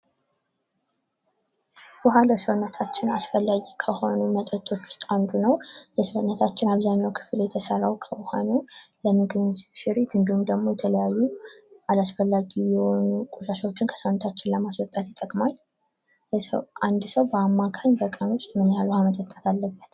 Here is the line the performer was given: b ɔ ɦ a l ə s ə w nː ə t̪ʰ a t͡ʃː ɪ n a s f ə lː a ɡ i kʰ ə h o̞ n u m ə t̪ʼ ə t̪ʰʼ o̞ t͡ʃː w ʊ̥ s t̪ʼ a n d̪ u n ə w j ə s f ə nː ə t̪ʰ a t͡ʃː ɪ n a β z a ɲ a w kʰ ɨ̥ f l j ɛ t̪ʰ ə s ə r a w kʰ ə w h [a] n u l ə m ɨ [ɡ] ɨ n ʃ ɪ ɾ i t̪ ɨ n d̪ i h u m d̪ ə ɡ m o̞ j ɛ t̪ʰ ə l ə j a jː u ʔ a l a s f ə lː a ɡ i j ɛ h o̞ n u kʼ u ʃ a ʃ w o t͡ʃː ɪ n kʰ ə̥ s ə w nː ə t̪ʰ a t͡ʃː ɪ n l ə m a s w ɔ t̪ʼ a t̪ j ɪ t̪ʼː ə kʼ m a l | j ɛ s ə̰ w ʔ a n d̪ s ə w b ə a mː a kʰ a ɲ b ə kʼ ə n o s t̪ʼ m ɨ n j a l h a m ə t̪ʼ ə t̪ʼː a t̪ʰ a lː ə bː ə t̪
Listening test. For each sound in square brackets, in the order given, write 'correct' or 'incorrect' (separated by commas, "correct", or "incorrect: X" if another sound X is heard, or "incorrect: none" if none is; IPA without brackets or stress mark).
correct, correct